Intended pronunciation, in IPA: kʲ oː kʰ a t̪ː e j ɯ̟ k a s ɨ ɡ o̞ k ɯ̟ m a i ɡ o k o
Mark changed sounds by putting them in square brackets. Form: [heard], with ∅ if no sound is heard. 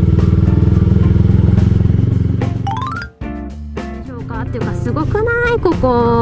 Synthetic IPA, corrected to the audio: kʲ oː [k] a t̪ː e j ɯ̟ k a s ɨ ɡ o̞ k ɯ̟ [n] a i [k] o k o